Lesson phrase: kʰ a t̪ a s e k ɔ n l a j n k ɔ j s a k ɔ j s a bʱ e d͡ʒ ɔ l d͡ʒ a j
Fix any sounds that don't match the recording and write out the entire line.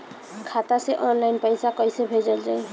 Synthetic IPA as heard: kʰ a t̪ a s e ʔ ɔ n l a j n p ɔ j s a k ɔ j s e bʱ e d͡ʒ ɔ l d͡ʒ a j